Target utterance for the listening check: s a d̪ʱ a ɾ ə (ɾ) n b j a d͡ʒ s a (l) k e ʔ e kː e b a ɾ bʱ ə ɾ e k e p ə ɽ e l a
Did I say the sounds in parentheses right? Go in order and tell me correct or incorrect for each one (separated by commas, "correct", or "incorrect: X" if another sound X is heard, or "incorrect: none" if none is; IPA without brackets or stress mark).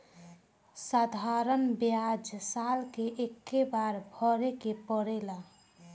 incorrect: none, correct